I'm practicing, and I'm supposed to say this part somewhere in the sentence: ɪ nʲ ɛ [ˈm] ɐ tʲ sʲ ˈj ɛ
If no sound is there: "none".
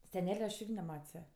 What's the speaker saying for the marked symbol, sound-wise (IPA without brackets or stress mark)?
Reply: m